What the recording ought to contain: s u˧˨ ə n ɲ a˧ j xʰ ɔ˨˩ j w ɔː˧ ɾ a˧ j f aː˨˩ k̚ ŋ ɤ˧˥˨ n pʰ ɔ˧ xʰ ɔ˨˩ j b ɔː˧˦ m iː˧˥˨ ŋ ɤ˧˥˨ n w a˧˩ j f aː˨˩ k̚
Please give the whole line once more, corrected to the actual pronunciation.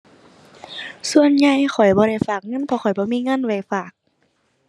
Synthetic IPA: s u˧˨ ə n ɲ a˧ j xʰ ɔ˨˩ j b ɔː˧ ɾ a˧˩ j f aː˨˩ k̚ ŋ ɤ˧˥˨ n pʰ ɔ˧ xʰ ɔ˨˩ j b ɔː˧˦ m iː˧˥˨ ŋ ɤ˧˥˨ n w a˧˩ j f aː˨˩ k̚